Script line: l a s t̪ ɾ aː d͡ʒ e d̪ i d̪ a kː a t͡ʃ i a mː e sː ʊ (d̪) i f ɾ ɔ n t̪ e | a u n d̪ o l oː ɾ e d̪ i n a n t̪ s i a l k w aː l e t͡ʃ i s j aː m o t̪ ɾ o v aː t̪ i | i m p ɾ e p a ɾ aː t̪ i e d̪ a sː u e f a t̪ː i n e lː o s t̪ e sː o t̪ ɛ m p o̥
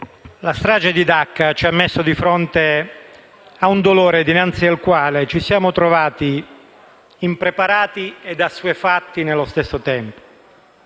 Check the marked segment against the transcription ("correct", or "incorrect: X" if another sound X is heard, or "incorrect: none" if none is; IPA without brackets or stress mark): correct